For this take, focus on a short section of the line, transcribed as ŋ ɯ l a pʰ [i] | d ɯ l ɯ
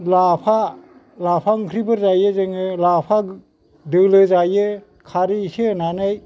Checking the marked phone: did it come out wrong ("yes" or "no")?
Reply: yes